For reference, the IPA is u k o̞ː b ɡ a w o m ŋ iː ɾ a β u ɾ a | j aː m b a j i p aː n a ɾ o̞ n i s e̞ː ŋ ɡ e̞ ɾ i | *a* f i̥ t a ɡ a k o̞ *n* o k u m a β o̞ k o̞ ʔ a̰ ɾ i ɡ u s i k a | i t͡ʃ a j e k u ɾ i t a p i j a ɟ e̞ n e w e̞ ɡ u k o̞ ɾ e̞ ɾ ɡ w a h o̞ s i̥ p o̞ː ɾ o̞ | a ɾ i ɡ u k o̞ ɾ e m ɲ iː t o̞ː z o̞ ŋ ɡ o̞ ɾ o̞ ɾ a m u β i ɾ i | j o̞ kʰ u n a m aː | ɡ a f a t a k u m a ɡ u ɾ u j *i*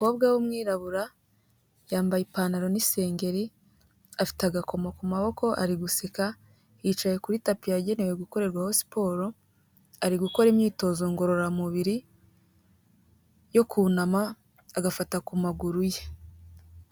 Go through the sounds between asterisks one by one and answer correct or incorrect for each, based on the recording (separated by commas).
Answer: correct, incorrect, incorrect